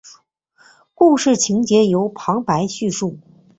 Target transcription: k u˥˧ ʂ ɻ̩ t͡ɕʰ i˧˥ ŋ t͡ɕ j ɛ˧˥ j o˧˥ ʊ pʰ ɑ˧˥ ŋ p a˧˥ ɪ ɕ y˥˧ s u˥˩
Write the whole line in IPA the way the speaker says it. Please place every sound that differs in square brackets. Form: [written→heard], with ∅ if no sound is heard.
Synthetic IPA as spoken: k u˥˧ ʂ ɻ̩ t͡ɕʰ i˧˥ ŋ t͡ɕ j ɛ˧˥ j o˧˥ ʊ pʰ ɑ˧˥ ŋ p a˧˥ ɪ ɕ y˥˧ [s→ʂ] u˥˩